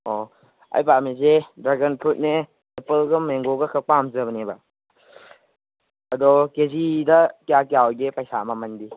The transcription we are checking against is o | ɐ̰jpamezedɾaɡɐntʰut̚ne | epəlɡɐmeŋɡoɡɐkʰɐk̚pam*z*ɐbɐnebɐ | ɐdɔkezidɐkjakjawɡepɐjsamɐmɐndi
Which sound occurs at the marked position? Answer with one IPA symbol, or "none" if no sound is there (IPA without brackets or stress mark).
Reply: z